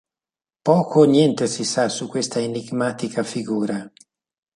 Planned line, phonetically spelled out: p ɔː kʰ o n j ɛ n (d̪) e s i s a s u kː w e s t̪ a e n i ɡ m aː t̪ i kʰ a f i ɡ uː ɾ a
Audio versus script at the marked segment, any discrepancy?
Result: yes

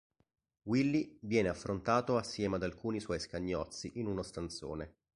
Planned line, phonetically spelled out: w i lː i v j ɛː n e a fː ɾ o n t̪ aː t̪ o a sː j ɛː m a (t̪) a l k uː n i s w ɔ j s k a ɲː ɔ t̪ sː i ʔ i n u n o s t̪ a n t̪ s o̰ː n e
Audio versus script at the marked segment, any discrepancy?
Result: yes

